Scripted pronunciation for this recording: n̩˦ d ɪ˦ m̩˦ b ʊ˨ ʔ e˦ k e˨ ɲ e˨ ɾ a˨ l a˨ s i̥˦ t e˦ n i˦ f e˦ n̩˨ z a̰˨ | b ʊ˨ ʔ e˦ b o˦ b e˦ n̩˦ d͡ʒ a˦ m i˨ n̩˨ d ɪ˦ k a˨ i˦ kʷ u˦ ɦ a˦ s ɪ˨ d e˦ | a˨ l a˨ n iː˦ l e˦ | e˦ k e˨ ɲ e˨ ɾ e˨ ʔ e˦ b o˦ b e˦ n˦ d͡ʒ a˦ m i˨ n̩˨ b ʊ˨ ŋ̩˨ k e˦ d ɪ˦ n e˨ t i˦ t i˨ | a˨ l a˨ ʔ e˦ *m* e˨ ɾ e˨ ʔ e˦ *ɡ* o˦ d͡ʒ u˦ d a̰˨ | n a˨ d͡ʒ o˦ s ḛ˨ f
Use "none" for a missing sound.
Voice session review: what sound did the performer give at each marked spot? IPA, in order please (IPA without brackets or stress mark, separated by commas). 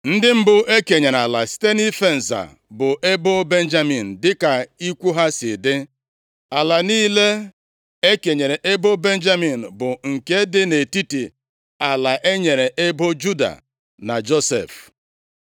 ɲ, b